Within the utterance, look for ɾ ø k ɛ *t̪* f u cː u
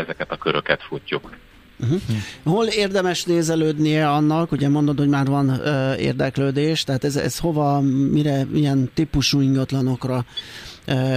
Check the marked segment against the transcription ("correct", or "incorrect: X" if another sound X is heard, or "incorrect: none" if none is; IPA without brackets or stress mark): correct